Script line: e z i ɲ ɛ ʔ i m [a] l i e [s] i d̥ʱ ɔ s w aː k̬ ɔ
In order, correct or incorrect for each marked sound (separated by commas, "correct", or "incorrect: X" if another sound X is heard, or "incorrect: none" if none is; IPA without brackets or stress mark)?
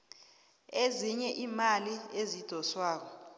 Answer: correct, incorrect: z